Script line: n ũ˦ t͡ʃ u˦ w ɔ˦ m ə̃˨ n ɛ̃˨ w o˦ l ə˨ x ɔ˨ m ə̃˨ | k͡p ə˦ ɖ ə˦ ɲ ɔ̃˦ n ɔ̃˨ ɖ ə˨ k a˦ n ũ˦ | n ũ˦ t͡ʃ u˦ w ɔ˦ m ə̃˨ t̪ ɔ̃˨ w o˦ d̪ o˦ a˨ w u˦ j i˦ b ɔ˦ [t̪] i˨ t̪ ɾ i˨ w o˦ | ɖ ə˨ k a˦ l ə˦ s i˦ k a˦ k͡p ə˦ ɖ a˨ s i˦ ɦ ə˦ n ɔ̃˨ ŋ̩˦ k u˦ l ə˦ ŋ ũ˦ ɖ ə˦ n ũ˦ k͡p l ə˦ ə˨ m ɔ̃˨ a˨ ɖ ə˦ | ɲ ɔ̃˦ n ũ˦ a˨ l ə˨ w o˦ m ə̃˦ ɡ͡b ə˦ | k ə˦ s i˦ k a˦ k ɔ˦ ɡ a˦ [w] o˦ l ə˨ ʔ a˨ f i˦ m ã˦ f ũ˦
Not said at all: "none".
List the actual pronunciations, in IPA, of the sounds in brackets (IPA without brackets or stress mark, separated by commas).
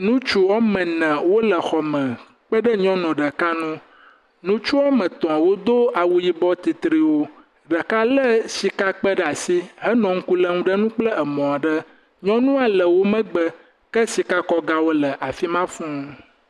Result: t̪, w